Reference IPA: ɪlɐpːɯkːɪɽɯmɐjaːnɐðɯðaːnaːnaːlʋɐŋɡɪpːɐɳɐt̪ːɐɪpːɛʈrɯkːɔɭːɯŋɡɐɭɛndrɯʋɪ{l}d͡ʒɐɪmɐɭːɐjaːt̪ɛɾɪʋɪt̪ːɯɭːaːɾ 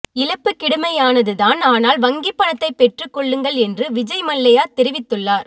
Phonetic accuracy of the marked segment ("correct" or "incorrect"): incorrect